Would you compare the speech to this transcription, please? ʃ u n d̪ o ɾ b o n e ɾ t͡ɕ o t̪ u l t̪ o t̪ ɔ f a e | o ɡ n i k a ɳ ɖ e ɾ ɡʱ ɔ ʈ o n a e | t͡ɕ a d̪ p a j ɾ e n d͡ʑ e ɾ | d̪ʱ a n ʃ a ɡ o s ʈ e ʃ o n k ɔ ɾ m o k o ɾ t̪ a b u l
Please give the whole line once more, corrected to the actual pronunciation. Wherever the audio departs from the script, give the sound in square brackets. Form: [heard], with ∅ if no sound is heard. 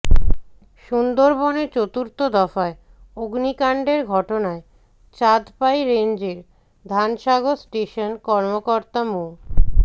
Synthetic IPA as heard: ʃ u n d̪ o ɾ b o n e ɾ t͡ɕ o t̪ u [ɾ] t̪ o [d̪] ɔ f a e | o ɡ n i k a ɳ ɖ e ɾ ɡʱ ɔ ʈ o n a e | t͡ɕ a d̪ p a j ɾ e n d͡ʑ e ɾ | d̪ʱ a n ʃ a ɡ o s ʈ e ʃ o n k ɔ ɾ m o k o ɾ t̪ a [m] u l